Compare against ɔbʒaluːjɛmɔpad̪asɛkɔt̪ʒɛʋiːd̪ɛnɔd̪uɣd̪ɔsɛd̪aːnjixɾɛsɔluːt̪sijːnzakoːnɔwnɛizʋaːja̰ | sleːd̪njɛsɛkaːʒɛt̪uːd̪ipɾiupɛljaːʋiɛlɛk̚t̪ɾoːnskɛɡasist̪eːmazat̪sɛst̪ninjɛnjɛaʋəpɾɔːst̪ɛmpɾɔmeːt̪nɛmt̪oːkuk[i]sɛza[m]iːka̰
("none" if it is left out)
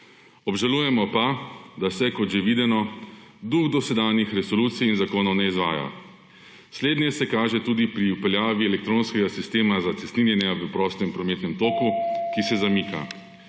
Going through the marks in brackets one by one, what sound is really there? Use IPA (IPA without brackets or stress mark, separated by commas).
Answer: i, m